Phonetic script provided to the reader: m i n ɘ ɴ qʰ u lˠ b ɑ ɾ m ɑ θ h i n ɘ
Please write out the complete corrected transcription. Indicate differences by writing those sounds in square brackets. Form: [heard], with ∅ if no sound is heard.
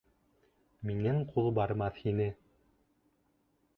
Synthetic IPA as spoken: m i n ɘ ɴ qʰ u lˠ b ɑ ɾ m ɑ θ h i n ɘ